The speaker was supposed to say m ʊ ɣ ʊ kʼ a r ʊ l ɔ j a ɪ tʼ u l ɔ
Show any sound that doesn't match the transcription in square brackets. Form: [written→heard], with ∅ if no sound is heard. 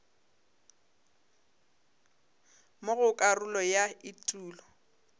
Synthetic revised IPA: m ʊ ɣ ʊ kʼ a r ʊ l ɔ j a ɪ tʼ [u→uː] l ɔ